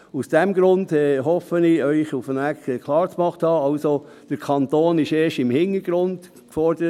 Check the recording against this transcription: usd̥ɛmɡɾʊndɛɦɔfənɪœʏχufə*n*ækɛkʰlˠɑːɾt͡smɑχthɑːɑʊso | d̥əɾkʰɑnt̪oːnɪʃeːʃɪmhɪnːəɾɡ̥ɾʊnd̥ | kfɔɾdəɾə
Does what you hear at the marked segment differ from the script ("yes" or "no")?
no